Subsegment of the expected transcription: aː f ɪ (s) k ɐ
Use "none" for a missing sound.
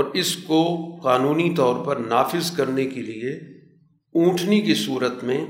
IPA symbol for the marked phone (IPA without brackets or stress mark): z